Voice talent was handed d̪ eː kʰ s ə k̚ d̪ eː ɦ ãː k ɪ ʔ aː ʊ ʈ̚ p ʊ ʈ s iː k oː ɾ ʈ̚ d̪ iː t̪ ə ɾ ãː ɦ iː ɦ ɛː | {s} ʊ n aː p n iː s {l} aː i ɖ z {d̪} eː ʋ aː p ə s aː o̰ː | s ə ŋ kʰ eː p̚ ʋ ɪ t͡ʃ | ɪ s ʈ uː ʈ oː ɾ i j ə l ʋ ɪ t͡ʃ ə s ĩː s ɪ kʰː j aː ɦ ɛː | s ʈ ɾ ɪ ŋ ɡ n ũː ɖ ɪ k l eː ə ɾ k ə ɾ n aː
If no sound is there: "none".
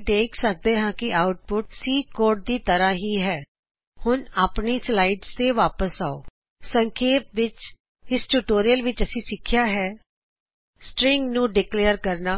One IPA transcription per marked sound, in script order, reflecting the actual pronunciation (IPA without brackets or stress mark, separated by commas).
h, l, t̪